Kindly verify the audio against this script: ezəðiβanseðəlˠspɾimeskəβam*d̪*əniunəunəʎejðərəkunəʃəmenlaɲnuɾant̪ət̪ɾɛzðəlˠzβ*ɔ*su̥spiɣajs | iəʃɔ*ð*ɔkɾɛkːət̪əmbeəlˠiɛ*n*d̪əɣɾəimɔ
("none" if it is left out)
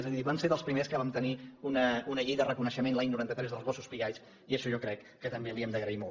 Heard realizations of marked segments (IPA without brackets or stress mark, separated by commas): t̪, ɔ, ʒ, m